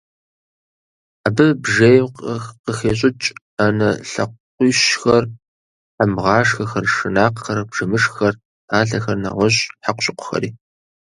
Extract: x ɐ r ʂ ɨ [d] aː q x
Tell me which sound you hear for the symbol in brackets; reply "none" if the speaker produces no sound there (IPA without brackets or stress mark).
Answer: n